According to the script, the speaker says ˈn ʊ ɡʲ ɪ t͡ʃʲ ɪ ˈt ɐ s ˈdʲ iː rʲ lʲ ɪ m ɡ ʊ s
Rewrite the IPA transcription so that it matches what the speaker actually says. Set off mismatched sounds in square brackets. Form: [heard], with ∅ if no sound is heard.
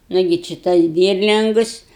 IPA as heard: ˈn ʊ ɡʲ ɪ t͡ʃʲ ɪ ˈt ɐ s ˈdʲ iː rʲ lʲ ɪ [ŋ] ɡ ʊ s